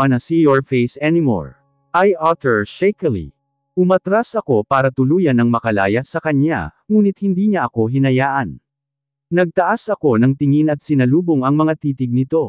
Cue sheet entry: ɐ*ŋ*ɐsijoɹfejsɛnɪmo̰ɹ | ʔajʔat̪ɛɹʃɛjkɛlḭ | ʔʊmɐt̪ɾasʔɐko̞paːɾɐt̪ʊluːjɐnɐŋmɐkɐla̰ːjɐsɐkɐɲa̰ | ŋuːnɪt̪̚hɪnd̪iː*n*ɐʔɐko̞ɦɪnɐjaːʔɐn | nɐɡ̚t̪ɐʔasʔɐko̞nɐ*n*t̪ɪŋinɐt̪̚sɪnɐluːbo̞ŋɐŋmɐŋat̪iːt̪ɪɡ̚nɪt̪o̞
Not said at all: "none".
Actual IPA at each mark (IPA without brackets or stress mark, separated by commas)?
n, ɲ, ŋ